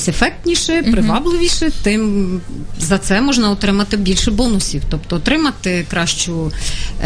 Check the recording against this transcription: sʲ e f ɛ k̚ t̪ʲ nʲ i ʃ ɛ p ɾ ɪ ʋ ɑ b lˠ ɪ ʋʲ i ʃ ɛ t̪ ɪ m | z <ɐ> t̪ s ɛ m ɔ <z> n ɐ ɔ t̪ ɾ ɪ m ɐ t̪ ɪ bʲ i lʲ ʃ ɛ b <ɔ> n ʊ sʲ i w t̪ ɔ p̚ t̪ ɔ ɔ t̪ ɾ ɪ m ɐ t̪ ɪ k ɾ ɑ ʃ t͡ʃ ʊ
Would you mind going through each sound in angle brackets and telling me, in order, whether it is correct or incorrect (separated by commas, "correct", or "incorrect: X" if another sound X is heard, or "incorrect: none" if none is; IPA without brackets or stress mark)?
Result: correct, incorrect: ʒ, correct